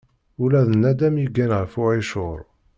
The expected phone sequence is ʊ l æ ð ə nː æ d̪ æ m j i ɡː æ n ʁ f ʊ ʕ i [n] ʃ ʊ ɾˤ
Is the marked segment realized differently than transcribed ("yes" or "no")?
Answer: yes